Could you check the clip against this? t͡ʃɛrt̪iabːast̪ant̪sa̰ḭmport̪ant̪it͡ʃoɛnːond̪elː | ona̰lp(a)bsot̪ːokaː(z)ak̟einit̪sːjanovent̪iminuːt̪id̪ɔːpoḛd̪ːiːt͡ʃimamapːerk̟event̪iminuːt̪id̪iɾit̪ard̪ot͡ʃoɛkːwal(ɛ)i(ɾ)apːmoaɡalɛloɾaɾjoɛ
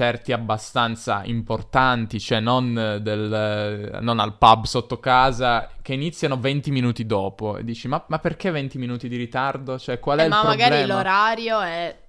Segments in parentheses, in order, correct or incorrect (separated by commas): correct, correct, correct, incorrect